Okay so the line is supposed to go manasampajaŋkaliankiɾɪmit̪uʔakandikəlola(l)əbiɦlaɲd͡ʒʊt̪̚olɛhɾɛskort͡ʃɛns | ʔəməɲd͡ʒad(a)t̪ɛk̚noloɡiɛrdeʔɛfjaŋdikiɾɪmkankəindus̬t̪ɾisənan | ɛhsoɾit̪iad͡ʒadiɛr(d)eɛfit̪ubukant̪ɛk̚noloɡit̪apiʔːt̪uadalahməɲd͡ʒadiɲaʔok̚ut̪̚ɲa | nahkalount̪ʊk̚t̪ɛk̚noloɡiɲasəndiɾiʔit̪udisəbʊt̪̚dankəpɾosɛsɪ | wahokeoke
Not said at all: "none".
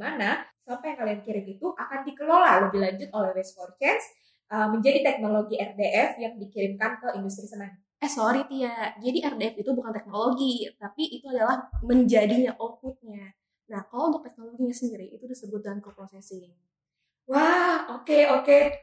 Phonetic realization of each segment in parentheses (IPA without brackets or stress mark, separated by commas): l, i, d